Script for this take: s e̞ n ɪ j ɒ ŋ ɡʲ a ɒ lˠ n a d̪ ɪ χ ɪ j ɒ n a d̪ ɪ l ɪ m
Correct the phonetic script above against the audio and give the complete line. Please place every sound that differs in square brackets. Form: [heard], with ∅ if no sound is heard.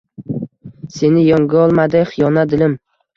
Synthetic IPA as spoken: s e̞ n ɪ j ɒ ŋ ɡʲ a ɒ lˠ [m] a d̪ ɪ χ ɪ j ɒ n a d̪ ɪ l ɪ m